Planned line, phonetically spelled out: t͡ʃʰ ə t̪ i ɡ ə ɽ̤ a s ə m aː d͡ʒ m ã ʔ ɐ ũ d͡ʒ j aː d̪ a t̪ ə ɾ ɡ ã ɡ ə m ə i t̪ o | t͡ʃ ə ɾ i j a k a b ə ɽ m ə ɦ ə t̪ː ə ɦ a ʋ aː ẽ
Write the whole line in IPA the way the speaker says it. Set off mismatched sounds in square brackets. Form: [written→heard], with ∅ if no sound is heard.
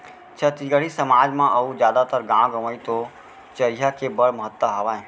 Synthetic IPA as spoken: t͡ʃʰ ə t̪ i ɡ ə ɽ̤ [a→i] s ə m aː d͡ʒ m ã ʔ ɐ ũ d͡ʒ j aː d̪ a t̪ ə ɾ ɡ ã ɡ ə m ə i t̪ o | t͡ʃ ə ɾ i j a k [a→e] b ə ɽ m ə ɦ ə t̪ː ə ɦ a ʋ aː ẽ